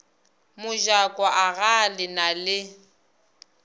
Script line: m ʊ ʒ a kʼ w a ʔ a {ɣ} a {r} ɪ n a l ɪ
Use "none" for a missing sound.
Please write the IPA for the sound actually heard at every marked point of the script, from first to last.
ɣ, l

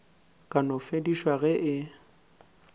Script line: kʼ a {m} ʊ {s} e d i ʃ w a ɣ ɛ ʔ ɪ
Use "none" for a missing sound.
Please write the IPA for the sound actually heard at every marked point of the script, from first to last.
n, f

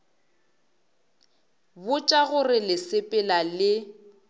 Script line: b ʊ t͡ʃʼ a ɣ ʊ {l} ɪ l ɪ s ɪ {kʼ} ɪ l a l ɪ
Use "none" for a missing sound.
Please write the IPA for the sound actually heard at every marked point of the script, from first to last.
r, pʼ

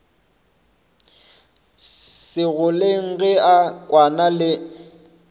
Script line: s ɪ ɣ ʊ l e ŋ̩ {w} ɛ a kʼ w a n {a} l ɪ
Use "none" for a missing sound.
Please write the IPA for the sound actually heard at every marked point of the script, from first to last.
ɣ, a

